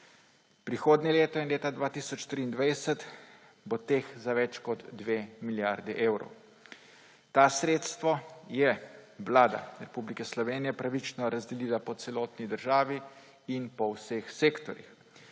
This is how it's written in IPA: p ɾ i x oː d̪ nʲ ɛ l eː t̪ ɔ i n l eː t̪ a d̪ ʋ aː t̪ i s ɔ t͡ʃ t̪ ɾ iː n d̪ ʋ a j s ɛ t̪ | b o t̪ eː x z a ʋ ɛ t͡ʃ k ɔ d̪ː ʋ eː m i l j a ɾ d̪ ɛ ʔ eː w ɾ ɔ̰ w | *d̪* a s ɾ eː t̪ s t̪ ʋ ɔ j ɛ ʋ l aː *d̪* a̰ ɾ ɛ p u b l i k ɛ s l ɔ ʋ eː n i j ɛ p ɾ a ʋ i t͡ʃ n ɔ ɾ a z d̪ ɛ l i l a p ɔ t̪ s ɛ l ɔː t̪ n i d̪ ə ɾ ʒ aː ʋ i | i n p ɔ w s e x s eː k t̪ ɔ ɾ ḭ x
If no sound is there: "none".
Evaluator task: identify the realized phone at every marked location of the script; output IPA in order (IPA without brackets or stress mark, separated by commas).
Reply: t̪, d̪